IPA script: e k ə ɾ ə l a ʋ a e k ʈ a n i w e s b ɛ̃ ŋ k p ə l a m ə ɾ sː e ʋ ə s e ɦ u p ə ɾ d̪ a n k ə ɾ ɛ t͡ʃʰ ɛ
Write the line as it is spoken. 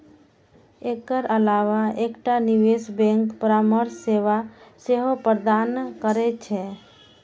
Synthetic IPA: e k ə ɾ ə l a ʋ a e k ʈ a n i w e s b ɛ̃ ŋ k p ə ɾ a m ə ɾ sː e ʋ a s e ɦ o p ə ɾ d̪ a n k ə ɾ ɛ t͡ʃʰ ɛ

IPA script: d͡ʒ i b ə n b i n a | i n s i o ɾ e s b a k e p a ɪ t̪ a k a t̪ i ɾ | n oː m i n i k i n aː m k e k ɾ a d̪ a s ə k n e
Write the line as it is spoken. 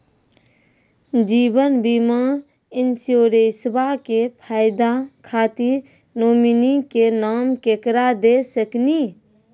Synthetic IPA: d͡ʒ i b ə n b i m a | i n s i o ɾ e s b a k e pʰ a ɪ d̪ a kʰ a t̪ i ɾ | n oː m i n i k e n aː m k e k ɾ a d̪ e s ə k n i

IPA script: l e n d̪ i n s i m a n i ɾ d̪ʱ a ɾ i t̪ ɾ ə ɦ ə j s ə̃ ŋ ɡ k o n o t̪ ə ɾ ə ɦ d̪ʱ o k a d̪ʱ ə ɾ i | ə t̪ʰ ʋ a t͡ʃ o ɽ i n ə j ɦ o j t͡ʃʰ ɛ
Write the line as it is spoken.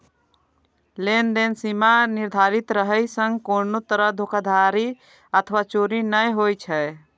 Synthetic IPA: l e n d̪ e n s i m a n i ɾ d̪ʱ a ɾ i t̪ ɾ ə ɦ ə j s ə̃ ŋ ɡ k o n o t̪ ə ɾ ə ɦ d̪ʱ o k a d̪ʱ a ɾ i | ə t̪ʰ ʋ a t͡ʃ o ɾ i n ə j ɦ o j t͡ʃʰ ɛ

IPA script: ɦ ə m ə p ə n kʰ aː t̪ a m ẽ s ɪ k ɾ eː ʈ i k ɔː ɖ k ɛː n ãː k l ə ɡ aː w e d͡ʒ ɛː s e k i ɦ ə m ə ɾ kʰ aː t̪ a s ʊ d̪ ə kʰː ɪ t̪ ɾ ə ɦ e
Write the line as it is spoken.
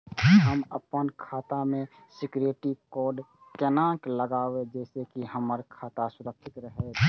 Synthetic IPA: ɦ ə m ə p ə n kʰ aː t̪ a m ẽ s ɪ k ɾ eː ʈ i k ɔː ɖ k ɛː n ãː k l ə ɡ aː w e d͡ʒ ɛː s e k i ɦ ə m ə ɾ kʰ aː t̪ a s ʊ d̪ ə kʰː ɪ t̪ ɾ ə ɦ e

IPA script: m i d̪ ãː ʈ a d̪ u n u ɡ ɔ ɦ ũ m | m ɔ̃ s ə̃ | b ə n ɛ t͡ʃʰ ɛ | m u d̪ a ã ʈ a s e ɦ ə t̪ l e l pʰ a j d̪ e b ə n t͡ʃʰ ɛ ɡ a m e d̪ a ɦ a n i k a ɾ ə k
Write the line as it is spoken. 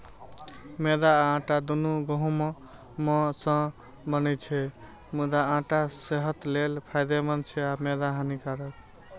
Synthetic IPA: m e d̪ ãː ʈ a d̪ u n u ɡ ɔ ɦ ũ m | m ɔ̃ s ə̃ | b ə n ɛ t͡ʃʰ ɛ | m u d̪ a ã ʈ a s e ɦ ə t̪ l e l pʰ a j d̪ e m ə n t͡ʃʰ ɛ a m e d̪ a ɦ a n i k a ɾ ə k

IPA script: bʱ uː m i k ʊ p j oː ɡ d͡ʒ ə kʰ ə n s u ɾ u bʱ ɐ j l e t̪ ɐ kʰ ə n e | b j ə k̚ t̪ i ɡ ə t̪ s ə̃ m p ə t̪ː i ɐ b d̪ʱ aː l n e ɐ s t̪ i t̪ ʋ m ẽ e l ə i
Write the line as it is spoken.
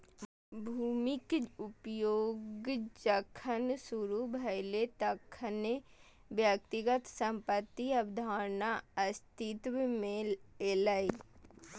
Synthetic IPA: bʱ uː m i k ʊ p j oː ɡ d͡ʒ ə kʰ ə n s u ɾ u bʱ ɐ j l e t̪ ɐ kʰ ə n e | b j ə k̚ t̪ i ɡ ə t̪ s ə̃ m p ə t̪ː i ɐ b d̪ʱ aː ɾ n a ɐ s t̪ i t̪ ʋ m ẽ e l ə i

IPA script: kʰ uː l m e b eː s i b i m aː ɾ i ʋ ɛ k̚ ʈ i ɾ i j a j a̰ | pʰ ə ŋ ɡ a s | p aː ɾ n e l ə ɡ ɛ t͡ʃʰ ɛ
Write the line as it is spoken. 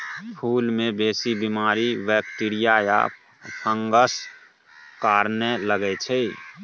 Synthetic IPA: pʰ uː l m e b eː s i b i m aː ɾ i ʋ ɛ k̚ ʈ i ɾ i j a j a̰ | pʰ ə ŋ ɡ ə s | k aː ɾ n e l ə ɡ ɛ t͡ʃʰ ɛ

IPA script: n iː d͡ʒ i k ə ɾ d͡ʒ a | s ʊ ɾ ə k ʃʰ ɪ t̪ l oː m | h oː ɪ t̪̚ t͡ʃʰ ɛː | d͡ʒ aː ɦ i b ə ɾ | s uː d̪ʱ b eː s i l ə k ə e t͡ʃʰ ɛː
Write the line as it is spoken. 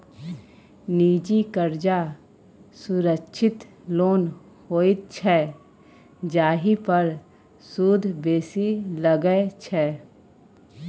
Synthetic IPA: n iː d͡ʒ i k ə ɾ d͡ʒ a | s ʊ ɾ ə k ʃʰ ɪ t̪ l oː n | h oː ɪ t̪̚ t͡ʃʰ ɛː | d͡ʒ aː ɦ i p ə ɾ | s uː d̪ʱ b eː s i l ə ɡ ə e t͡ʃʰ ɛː

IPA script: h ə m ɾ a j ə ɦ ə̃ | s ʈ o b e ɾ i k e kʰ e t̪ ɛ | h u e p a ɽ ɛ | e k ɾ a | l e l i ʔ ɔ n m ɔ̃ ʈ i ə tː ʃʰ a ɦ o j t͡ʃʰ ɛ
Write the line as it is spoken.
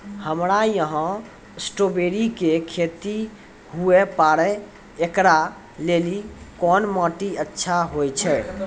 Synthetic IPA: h ə m ɾ a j ə ɦ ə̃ | s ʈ o b e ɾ i k e kʰ e t̪ i | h u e p a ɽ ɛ | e k ɾ a | l e l i k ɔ n m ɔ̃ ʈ i ə tː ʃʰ a ɦ o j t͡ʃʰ ɛ

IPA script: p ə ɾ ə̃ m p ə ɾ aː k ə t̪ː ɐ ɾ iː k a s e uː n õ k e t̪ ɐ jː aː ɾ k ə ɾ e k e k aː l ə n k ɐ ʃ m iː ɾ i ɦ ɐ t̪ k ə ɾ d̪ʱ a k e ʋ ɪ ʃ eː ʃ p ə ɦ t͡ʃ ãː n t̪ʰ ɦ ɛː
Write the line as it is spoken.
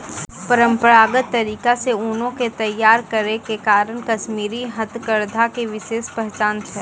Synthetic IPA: p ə ɾ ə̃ m p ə ɾ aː ɡ ə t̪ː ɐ ɾ iː k a s e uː n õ k e t̪ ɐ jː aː ɾ k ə ɾ e k e k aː ɾ ə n k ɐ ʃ m iː ɾ i ɦ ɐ t̪ k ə ɾ d̪ʱ a k e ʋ ɪ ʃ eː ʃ p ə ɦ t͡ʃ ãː n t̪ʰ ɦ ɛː

